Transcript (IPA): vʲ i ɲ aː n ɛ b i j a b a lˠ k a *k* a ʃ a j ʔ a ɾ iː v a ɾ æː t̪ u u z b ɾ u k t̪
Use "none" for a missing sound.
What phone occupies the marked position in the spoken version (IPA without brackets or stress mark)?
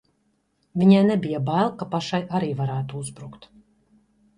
p